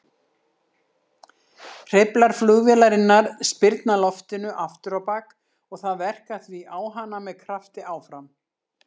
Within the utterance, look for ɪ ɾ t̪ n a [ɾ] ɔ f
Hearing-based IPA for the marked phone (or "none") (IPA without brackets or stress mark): l